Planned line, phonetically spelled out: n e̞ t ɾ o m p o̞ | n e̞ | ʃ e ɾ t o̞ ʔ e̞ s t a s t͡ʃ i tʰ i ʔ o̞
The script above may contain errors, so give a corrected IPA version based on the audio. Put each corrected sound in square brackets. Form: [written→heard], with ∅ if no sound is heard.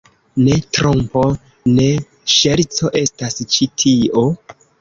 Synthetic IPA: n e̞ t ɾ o m p o̞ | n e̞ | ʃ e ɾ [t→t͡s] o̞ ʔ e̞ s t a s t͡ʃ i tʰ i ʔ o̞